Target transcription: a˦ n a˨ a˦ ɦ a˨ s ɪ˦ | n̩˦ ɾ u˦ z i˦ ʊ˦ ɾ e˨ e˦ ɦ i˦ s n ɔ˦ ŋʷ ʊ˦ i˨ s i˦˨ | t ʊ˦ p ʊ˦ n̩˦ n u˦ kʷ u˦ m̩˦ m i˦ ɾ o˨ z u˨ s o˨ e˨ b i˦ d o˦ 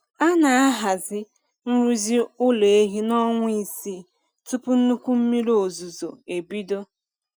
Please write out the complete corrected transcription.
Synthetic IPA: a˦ n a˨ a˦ ɦ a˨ z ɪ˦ | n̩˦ ɾ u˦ z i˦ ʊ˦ l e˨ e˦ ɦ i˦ n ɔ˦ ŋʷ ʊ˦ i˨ s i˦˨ | t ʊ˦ p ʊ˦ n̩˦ n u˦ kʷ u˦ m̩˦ m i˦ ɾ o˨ z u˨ z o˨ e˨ b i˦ d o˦

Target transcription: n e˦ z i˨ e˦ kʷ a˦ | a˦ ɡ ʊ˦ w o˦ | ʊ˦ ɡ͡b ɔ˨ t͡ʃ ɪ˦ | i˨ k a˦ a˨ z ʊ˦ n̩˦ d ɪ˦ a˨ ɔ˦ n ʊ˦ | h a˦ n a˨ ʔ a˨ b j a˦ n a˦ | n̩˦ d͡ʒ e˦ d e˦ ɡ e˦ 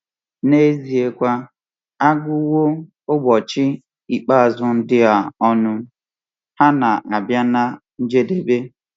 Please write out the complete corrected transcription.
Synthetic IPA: n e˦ z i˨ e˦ kʷ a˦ | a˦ ɡ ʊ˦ w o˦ | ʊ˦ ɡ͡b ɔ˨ t͡ʃ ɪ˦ | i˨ k͡p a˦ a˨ z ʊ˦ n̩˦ d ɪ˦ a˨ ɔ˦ n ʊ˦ | h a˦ n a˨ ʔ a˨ b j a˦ n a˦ | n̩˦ d͡ʒ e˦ d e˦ b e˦

